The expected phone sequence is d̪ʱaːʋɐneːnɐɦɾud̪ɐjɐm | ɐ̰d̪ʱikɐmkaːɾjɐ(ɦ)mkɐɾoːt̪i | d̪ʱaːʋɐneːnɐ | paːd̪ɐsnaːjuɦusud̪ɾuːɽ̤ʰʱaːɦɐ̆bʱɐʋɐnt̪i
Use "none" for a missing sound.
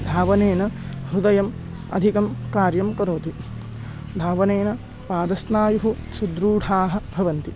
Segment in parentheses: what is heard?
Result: none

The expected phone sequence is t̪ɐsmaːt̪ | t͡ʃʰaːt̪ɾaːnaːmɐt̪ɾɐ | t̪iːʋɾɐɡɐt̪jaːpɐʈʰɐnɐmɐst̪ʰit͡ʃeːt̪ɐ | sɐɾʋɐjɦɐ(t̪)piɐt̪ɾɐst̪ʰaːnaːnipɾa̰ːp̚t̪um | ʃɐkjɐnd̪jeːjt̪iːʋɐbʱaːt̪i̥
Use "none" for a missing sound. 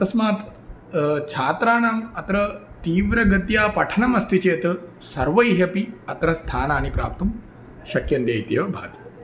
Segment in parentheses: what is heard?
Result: none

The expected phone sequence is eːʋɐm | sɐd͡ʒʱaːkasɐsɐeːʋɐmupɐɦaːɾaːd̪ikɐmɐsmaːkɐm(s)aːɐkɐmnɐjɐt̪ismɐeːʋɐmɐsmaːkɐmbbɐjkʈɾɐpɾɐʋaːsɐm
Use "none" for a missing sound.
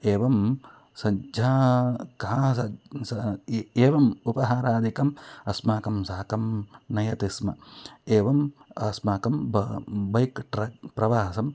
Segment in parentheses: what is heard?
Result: s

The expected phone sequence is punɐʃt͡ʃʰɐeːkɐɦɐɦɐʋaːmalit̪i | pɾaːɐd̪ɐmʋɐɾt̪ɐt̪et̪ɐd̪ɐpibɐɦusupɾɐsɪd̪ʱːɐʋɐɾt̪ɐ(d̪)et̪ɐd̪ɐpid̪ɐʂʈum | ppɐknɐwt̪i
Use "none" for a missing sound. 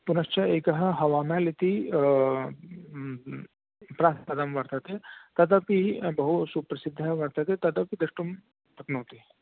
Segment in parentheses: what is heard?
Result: t̪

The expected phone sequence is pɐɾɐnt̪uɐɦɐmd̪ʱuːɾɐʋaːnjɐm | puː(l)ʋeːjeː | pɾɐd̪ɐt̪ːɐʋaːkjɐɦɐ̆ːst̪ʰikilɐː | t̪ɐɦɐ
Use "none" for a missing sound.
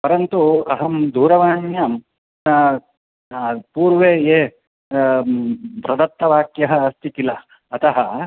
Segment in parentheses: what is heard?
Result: ɾ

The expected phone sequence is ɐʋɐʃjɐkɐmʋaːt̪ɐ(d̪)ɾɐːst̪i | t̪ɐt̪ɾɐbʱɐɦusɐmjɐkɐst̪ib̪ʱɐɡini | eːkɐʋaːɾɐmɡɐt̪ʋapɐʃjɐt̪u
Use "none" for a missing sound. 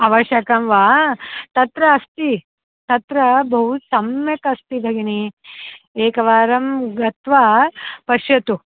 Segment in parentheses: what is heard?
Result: t̪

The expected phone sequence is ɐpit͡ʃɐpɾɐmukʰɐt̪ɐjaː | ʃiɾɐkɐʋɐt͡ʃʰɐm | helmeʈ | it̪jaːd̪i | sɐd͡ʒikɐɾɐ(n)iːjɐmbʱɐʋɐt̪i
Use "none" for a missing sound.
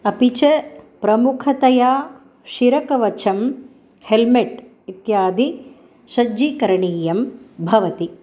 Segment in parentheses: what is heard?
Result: ɳ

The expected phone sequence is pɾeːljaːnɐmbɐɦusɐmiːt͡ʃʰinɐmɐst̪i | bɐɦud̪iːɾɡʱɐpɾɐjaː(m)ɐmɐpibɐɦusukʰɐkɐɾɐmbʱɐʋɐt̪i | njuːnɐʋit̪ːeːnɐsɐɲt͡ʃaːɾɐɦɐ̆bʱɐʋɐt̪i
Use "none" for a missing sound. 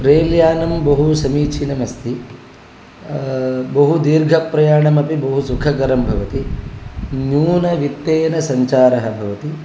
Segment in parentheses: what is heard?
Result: ɳ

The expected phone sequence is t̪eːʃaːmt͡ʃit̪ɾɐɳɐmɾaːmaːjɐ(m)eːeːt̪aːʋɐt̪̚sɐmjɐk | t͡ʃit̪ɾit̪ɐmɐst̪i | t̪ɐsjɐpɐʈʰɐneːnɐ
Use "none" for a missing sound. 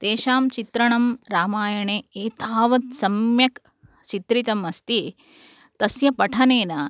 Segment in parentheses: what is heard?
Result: ɳ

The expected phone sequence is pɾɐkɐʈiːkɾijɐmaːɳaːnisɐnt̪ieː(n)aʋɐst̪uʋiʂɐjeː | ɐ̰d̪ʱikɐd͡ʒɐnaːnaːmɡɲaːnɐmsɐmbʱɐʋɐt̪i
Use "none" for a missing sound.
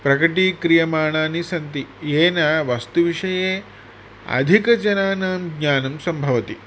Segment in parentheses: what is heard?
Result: n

